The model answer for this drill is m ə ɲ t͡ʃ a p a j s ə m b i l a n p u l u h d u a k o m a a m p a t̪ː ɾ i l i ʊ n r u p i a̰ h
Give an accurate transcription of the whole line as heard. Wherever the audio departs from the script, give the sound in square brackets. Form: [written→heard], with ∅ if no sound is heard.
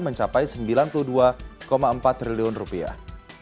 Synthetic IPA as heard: m ə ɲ t͡ʃ a p a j s ə m b i l a n p u l u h d u a k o m a [a→ə] m p a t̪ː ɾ i l i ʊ n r u p i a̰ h